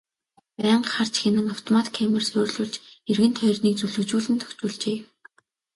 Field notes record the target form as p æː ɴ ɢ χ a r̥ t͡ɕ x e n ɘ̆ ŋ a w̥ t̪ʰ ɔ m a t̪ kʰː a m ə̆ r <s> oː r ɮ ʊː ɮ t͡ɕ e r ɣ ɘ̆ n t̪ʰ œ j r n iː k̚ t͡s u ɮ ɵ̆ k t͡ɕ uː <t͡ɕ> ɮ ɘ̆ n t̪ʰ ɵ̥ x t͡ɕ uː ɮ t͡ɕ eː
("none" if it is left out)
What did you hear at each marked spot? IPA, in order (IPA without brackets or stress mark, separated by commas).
s, none